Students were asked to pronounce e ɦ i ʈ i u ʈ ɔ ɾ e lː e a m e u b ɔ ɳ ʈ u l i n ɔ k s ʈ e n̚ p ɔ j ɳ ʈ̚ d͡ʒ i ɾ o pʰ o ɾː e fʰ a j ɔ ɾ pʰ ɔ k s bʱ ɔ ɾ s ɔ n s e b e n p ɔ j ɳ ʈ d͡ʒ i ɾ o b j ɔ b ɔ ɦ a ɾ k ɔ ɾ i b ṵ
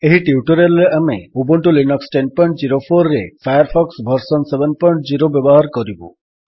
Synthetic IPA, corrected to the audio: e ɦ i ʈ i u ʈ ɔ ɾ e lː e a m e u b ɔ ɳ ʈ u l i n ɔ k s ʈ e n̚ p ɔ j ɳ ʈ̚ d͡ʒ i ɾ o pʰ o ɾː e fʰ a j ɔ ɾ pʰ ɔ k s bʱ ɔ ɾ s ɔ n s e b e n p ɔ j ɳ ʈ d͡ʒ i ɾ o b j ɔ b ɔ ɦ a ɾ k ɔ ɾ i b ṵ